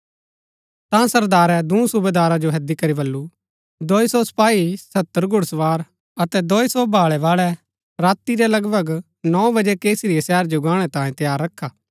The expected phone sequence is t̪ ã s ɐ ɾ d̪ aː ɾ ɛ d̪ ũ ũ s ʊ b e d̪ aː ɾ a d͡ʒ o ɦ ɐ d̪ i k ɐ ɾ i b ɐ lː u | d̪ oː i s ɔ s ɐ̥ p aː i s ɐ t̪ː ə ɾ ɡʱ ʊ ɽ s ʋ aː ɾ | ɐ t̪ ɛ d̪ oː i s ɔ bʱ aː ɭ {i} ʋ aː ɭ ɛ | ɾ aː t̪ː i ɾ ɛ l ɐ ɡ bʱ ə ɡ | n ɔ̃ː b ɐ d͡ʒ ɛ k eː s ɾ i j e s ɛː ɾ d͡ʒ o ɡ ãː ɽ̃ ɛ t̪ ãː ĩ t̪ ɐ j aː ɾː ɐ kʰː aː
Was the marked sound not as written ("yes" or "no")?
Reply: yes